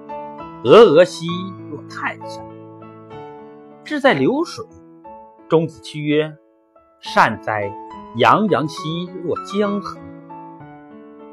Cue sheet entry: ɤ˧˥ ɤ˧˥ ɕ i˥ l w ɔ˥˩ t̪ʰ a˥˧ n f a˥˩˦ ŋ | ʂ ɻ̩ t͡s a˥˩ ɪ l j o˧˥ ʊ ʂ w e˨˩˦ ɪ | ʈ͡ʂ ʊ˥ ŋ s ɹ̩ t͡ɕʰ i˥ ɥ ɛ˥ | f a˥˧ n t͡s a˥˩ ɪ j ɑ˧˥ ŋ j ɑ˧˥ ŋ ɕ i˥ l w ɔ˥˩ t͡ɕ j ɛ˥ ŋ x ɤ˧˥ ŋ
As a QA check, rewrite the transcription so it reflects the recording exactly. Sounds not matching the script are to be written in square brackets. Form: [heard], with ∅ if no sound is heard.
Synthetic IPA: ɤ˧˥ ɤ˧˥ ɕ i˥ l w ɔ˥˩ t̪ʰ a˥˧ n [ɕ] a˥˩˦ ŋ | [ʈ͡ʂ] ɻ̩ t͡s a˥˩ ɪ l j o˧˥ ʊ ʂ w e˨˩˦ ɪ | ʈ͡ʂ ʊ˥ ŋ [t͡s] ɹ̩ t͡ɕʰ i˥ ɥ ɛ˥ | [ʂ] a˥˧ n t͡s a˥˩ ɪ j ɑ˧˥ ŋ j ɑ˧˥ ŋ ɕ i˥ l w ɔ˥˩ t͡ɕ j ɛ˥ ŋ x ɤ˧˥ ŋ